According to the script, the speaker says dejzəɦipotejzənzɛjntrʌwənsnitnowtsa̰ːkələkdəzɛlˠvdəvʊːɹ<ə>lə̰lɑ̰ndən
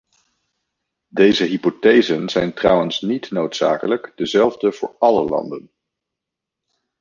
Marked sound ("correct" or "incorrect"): incorrect